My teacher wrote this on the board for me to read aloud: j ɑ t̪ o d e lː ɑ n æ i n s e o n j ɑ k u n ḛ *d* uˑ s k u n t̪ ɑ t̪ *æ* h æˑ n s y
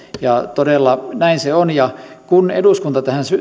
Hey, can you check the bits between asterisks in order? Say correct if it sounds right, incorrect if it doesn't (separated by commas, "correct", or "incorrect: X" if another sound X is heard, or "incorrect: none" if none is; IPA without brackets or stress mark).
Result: correct, correct